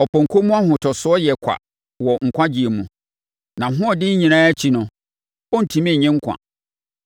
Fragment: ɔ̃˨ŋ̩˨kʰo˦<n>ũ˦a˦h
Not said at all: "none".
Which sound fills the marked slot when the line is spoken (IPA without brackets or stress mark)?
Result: m